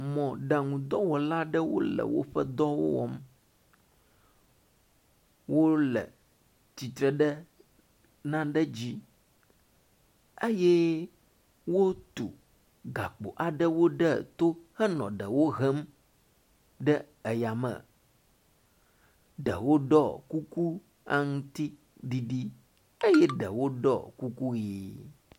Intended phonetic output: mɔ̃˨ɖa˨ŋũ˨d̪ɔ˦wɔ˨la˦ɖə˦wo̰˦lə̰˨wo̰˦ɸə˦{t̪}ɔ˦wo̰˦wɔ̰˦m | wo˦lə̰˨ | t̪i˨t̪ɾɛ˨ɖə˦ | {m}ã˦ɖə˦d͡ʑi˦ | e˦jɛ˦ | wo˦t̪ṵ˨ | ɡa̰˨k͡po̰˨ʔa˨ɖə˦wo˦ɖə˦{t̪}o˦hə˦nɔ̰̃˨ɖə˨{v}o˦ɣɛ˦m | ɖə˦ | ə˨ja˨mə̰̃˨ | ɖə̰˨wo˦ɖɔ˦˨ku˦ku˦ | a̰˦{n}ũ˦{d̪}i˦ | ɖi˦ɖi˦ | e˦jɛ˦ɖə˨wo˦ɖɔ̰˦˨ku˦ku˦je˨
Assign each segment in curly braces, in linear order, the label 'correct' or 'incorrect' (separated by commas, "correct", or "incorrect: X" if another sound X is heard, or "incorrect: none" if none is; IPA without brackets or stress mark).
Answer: incorrect: d̪, incorrect: n, correct, incorrect: w, incorrect: ŋ, incorrect: t̪